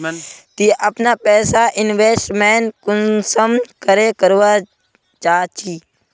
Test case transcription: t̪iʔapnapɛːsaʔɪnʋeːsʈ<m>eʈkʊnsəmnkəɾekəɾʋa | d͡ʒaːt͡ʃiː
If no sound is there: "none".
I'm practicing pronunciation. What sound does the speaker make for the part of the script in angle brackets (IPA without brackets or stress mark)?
m